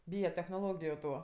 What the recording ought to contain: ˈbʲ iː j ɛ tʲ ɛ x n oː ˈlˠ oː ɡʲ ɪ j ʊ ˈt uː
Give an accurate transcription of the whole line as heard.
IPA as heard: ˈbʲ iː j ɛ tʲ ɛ x n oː ˈlˠ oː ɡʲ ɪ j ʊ ˈt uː